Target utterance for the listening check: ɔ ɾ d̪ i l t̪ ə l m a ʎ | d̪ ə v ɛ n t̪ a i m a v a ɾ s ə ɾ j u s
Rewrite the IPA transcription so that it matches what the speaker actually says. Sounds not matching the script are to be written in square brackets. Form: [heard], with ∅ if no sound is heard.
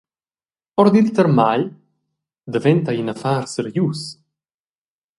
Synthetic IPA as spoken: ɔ ɾ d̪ i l t̪ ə [ɾ] m a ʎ | d̪ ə v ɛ n t̪ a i [n] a [f] a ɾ s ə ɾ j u s